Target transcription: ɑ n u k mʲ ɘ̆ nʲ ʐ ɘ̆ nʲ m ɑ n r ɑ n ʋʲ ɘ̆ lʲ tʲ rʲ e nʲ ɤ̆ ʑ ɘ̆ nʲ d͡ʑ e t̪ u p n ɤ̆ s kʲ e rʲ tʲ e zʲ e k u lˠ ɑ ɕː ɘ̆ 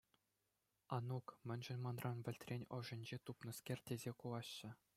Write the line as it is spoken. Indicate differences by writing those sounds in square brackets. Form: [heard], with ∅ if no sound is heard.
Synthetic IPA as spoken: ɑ n u k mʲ ɘ̆ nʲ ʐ ɘ̆ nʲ m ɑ n r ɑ n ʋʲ ɘ̆ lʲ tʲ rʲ e nʲ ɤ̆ [ʐ] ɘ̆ nʲ d͡ʑ e t̪ u p n ɤ̆ s kʲ e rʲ tʲ e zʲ e k u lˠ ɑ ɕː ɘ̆